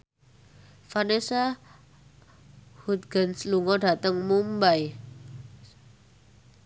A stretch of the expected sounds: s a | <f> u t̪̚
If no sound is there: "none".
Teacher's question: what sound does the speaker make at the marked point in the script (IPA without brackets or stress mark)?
h